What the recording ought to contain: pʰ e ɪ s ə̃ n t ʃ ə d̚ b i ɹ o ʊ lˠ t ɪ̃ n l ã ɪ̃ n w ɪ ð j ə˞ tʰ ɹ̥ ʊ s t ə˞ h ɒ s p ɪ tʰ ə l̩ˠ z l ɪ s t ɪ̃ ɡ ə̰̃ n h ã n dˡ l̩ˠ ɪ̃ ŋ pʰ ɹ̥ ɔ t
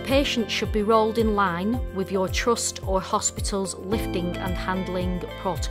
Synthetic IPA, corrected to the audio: pʰ e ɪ ʃ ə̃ n t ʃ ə d̚ b i ɹ o ʊ lˠ d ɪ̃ n l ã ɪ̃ n w ɪ ð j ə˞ tʰ ɹ̥ ʊ s t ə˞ h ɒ s p ɪ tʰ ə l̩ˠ z l ɪ f t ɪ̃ ŋ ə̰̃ n h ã n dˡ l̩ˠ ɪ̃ ŋ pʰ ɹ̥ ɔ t